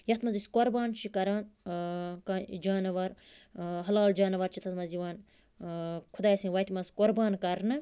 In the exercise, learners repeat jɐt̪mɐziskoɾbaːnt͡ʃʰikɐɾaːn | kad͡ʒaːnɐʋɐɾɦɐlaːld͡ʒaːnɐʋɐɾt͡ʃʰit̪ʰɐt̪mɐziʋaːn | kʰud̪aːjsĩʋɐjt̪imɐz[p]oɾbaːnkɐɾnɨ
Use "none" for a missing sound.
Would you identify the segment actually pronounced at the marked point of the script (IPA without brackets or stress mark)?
k